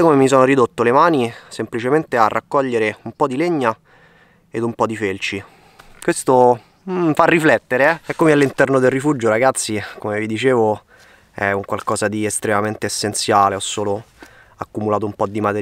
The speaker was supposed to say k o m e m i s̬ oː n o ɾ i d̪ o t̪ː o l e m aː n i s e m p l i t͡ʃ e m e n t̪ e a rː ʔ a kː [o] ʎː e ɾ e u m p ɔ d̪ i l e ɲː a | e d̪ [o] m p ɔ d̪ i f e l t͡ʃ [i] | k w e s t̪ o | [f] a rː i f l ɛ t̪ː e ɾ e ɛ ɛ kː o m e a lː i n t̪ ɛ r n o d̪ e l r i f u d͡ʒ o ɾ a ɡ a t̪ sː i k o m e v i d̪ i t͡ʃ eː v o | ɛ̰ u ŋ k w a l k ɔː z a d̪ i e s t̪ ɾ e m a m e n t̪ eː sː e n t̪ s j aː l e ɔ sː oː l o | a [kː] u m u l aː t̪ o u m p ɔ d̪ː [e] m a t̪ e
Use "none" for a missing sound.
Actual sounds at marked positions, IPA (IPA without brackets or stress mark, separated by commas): ɔ, u, i, f, kː, i